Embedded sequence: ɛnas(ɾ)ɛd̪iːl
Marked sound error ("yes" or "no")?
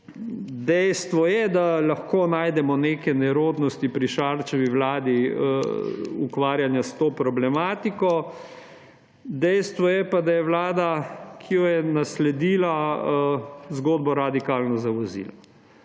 yes